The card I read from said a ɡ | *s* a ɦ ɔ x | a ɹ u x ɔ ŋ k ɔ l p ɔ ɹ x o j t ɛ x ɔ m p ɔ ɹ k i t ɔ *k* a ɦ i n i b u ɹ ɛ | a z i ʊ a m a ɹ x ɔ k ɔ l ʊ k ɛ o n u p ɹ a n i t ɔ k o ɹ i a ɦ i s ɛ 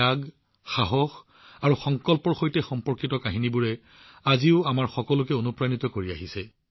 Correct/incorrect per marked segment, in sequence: incorrect, correct

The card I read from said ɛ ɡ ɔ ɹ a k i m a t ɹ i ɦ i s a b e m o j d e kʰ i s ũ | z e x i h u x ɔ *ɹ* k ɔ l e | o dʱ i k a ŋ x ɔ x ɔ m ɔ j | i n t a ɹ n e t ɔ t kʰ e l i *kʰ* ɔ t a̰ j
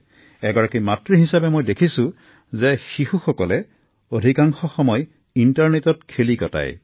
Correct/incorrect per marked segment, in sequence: incorrect, incorrect

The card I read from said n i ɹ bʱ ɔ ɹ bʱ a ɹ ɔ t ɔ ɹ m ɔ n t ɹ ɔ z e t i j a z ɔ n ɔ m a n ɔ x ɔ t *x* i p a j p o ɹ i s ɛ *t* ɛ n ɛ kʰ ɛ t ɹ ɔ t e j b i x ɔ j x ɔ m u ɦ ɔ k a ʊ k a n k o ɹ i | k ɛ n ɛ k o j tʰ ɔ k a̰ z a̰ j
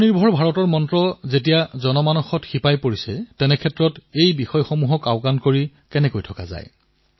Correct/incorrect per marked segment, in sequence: correct, correct

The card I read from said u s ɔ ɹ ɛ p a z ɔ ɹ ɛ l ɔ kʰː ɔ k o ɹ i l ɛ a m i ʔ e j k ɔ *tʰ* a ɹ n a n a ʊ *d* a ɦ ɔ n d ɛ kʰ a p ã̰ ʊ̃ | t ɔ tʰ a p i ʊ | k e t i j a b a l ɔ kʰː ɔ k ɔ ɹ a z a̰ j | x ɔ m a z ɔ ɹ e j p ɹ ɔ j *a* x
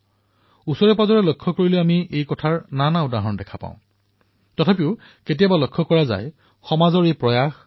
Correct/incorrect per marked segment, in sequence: correct, correct, correct

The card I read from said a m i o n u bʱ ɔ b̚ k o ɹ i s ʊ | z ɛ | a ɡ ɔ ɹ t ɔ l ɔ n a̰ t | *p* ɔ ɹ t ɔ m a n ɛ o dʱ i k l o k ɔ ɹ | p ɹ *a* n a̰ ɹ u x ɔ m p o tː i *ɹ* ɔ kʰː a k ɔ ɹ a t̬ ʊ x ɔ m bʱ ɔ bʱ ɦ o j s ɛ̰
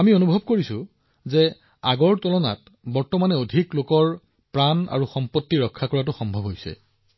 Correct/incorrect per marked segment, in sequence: incorrect, correct, correct

